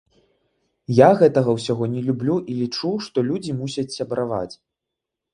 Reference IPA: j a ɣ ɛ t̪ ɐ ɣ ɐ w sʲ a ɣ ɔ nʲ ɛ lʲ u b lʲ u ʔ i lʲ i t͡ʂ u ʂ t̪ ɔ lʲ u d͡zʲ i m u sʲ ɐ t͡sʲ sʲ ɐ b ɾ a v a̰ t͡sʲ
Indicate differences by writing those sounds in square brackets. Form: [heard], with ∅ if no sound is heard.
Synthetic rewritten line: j a ɣ ɛ t̪ ɐ ɣ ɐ w sʲ a ɣ ɔ nʲ ɛ lʲ u b lʲ u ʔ i lʲ i t͡ʂ u ʂ t̪ ɔ lʲ u d͡zʲ i m u sʲ ɐ t͡sʲ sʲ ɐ b ɾ a v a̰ t͡sʲ